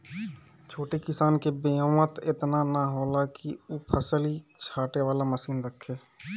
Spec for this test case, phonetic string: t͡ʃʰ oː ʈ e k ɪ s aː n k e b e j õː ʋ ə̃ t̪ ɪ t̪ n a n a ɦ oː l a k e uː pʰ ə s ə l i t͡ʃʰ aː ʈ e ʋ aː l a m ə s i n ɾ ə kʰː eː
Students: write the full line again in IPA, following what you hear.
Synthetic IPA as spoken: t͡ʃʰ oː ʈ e k ɪ s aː n k e b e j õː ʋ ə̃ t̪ ɪ t̪ n a n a ɦ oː l a k i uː pʰ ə s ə l i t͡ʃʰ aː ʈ e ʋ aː l a m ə s iː n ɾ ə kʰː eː